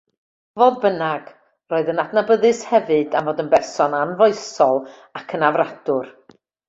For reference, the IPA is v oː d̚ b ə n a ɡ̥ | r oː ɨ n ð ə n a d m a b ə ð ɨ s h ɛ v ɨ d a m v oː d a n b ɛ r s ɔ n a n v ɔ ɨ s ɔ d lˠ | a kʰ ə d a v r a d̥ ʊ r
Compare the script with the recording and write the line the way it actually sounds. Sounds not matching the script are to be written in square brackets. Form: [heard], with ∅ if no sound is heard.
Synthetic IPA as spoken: v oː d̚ b ə n a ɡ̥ | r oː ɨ [∅] ð ə n a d [n] a b ə ð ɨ s h ɛ v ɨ d a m v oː d [ə] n b ɛ r s ɔ n a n v ɔ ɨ s ɔ [∅] lˠ | a kʰ ə [n] a v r a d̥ ʊ r